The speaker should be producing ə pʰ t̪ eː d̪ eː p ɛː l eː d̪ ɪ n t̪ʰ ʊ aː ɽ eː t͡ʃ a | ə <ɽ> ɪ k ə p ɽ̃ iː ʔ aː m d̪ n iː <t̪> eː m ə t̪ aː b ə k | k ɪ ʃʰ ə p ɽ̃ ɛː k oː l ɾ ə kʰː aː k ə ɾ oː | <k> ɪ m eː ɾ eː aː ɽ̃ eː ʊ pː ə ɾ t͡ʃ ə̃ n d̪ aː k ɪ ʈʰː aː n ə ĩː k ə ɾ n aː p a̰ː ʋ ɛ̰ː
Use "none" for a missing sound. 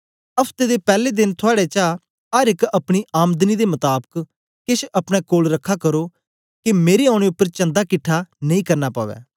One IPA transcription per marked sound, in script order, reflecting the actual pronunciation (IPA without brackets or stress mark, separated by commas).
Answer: ɾ, d̪, k